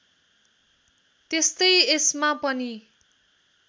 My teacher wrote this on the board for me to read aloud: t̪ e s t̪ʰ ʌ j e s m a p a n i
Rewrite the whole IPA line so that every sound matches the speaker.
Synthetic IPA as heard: t̪ e s t̪ ʌ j e s m a p ʌ n i